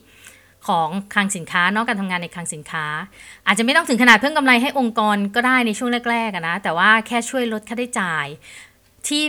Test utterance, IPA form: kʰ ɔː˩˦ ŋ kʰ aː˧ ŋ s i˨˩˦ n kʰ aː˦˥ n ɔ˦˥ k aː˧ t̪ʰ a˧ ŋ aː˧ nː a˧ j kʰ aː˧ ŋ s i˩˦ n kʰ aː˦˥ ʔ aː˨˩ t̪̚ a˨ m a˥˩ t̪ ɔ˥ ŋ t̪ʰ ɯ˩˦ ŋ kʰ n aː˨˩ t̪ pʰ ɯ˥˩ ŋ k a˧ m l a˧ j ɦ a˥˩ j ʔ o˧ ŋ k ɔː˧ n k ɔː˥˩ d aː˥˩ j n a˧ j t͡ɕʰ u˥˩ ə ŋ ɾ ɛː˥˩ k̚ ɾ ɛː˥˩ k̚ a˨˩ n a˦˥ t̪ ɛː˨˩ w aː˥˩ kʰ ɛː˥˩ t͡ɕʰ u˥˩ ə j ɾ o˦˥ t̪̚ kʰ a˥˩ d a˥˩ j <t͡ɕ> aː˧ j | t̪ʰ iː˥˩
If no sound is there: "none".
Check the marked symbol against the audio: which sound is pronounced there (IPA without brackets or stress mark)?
t͡ɕ